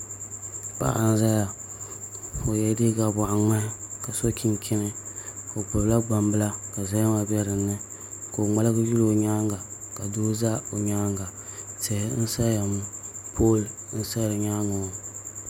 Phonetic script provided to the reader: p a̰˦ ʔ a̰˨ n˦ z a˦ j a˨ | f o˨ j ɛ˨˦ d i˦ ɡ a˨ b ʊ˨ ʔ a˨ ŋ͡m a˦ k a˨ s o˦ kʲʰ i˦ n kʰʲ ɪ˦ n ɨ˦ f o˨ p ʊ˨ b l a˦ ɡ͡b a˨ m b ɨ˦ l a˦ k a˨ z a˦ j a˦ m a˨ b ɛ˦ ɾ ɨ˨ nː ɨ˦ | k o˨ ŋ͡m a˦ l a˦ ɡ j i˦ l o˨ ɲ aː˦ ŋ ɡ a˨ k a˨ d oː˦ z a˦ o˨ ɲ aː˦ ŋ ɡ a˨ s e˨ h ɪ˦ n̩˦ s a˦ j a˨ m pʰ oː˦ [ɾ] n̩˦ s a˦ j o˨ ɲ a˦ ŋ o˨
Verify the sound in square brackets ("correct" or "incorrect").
incorrect